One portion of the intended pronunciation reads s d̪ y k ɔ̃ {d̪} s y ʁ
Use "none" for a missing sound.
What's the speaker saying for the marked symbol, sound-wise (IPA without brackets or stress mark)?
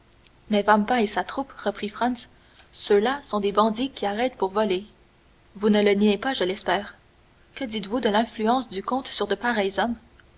t̪